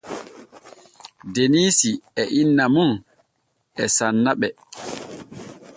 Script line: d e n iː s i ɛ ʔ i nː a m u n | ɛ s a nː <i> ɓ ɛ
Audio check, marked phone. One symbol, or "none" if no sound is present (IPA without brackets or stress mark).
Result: a